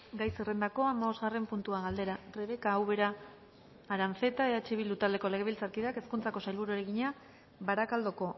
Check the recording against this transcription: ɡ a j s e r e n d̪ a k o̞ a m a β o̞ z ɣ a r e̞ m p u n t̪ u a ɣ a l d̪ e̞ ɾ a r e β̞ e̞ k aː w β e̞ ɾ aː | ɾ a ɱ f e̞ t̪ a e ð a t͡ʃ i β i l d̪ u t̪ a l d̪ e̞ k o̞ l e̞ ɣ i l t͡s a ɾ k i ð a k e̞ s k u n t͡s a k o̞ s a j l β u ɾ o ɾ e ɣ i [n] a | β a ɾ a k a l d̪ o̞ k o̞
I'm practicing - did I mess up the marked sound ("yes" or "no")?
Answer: yes